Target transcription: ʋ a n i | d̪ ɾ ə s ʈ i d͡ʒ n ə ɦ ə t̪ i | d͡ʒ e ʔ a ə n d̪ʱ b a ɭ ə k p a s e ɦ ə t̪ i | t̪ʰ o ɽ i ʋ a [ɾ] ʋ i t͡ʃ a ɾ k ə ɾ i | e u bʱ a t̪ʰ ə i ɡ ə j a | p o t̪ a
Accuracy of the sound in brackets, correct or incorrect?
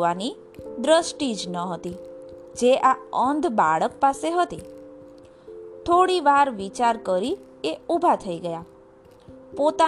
correct